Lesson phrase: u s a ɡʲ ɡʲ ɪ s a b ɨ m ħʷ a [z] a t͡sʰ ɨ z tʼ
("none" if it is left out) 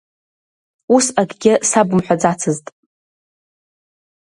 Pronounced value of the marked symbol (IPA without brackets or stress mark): d͡z